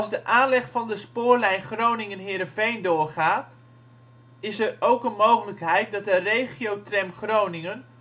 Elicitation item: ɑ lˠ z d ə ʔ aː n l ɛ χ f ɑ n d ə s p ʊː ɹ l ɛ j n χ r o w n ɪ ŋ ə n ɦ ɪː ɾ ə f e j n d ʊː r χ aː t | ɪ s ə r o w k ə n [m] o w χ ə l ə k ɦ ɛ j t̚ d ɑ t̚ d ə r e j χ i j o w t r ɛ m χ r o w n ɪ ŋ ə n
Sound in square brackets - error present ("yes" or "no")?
no